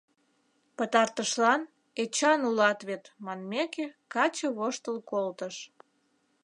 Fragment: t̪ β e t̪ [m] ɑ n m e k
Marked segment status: correct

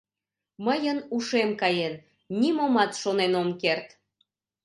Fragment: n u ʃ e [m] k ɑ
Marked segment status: correct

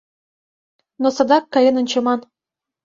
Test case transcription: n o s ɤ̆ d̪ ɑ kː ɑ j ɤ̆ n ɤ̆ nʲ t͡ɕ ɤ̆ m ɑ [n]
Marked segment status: correct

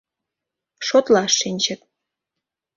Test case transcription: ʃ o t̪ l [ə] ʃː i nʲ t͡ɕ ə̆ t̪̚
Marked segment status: incorrect: ɑ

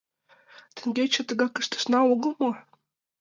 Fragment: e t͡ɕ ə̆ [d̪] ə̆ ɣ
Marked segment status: incorrect: t̪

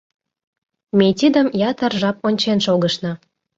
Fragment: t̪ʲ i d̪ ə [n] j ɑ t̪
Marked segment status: incorrect: m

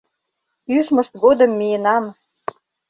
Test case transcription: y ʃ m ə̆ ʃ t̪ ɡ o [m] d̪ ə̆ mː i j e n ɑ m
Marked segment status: incorrect: none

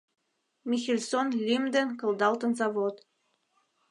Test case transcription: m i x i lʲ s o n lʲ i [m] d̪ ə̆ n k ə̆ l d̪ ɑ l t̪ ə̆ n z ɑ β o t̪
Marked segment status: correct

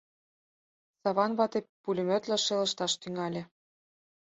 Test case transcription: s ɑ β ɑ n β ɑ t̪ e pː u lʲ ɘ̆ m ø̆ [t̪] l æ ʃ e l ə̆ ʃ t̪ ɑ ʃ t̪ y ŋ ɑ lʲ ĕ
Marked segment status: correct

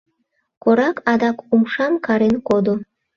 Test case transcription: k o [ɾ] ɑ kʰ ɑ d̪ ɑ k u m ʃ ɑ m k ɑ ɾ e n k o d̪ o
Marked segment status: correct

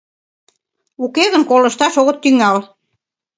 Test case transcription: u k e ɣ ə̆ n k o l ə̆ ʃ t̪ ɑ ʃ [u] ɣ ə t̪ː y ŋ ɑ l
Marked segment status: incorrect: o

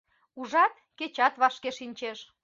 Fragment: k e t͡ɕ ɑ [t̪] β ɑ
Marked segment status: correct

